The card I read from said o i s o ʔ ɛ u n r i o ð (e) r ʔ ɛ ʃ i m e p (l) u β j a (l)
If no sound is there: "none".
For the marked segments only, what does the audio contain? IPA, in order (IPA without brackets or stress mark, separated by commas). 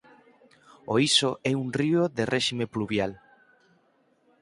e, l, l